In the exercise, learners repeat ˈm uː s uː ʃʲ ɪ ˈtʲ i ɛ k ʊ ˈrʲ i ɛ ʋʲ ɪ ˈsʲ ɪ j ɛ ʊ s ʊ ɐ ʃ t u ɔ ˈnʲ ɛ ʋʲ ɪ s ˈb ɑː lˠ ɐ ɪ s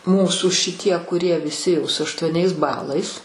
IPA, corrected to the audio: ˈm uː s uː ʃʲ ɪ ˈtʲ i ɛ k ʊ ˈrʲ i ɛ ʋʲ ɪ ˈsʲ ɪ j ɛ ʊ s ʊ ɐ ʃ t u ɔ ˈnʲ ɛ ɪ s ˈb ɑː lˠ ɐ ɪ s